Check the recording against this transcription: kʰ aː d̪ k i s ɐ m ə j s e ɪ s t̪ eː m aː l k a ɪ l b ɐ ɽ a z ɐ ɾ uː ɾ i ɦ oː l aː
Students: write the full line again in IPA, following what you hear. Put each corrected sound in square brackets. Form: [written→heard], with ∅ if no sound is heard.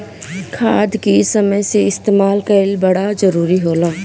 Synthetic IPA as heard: kʰ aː d̪ k i s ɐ m ə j s e ɪ s t̪ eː m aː l k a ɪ l b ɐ ɽ a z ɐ ɾ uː ɾ i ɦ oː l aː